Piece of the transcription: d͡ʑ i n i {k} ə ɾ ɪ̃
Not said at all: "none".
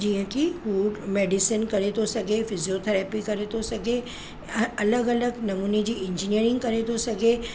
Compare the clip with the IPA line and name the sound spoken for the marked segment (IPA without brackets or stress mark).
none